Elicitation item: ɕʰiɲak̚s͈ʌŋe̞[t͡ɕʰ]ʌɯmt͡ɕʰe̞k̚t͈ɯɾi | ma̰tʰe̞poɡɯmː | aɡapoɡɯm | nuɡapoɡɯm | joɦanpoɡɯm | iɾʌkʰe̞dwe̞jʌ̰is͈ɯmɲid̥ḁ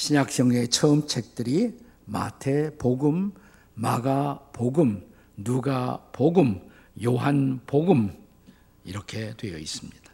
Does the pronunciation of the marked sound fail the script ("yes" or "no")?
no